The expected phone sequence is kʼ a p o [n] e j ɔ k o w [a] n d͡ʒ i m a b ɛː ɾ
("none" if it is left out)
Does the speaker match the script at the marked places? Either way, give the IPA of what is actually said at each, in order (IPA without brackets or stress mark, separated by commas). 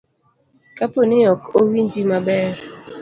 n, i